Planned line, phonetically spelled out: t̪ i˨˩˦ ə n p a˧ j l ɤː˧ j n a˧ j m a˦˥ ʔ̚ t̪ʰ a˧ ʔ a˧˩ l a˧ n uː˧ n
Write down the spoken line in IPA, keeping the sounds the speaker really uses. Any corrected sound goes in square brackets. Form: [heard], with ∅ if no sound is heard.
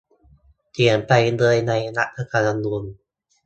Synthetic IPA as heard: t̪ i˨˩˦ ə n p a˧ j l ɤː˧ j n a˧ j [n] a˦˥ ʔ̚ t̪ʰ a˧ [k] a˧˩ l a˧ n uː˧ n